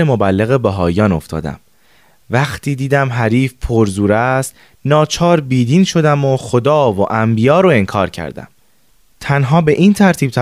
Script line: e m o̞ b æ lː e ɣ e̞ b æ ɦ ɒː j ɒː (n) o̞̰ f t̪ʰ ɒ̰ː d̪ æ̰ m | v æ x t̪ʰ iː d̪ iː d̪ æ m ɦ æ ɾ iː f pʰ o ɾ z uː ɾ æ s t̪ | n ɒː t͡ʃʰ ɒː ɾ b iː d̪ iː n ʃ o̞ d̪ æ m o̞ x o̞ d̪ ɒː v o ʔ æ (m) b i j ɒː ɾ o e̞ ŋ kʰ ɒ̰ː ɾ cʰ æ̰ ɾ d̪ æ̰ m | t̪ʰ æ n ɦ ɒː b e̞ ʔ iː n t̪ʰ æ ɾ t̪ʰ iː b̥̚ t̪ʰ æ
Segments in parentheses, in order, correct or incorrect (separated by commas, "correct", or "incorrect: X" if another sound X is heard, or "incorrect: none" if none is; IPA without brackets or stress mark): correct, correct